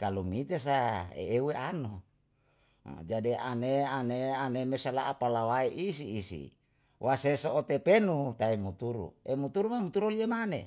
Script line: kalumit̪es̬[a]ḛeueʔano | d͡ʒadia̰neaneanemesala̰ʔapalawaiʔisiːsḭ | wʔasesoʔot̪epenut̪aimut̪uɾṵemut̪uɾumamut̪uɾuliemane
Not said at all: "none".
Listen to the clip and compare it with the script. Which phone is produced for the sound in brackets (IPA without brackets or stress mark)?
a